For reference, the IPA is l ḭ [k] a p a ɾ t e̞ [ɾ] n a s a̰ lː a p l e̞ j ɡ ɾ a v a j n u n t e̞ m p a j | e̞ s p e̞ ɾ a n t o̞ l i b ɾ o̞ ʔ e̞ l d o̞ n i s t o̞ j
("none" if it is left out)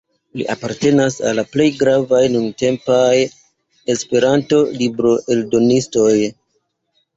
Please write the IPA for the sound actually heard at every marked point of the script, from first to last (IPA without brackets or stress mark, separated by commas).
ʔ, none